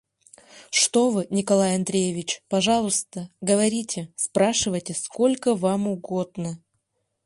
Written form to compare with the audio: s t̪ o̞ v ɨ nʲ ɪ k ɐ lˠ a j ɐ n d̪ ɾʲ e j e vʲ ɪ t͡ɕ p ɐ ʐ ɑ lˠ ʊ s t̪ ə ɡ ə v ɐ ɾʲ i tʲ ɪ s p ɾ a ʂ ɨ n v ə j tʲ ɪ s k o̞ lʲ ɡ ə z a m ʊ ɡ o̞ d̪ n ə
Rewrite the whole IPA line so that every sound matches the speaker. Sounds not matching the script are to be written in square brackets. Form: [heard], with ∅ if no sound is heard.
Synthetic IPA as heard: [ʂ] t̪ o̞ v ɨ nʲ ɪ k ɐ lˠ a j ɐ n d̪ ɾʲ e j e vʲ ɪ t͡ɕ p ɐ ʐ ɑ lˠ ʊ s t̪ ə ɡ ə v ɐ ɾʲ i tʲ ɪ s p ɾ a ʂ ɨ [∅] v ə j tʲ ɪ s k o̞ lʲ [k] ə [v] a m ʊ ɡ o̞ d̪ n ə